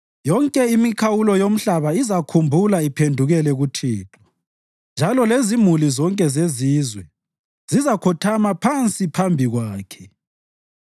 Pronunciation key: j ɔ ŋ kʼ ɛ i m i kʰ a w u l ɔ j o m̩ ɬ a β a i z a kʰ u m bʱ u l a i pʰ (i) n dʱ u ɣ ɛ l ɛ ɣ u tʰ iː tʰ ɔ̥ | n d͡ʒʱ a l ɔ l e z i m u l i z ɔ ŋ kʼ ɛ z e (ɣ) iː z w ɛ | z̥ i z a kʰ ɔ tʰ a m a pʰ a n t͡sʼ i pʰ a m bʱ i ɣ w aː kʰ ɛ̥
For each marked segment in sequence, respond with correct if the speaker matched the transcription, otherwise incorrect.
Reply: incorrect: e, incorrect: z

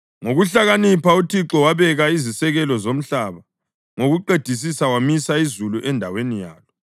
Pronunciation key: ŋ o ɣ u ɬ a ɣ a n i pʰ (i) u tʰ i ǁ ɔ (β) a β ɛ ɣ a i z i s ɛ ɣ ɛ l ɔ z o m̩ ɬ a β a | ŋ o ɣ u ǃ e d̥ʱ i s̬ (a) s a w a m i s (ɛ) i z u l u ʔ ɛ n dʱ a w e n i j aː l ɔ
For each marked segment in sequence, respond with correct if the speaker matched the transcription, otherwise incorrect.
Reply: incorrect: a, incorrect: w, incorrect: i, incorrect: a

